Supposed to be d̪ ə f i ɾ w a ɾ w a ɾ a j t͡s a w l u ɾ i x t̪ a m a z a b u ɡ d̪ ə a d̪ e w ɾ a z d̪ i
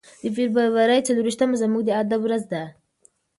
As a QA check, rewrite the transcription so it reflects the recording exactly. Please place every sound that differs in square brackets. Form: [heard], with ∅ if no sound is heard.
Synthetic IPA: d̪ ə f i ɾ [b] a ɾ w a ɾ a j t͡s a [∅] l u ɾ i [ʃ] t̪ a m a z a [m] u ɡ d̪ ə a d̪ [a] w ɾ a z d̪ [a]